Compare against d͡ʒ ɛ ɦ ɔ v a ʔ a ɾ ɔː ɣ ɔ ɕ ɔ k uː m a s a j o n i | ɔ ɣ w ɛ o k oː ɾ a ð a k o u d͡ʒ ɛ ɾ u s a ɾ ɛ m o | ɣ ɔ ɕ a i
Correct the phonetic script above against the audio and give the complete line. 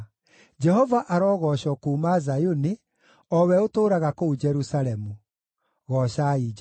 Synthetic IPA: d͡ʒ ɛ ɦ ɔ v a ʔ a ɾ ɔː ɣ ɔ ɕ ɔ k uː m a z a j o n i | ɔ w ɛ o t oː ɾ a ɣ a k o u d͡ʒ ɛ ɾ u s a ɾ ɛ m u | ɣ ɔ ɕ a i